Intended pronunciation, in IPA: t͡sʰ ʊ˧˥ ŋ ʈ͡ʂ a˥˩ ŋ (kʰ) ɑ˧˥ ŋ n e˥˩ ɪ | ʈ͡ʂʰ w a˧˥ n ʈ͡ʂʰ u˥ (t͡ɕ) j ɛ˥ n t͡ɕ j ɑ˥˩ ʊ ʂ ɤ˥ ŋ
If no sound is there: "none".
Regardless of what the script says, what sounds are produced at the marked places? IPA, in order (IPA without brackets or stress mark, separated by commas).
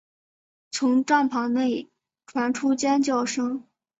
pʰ, t͡ɕ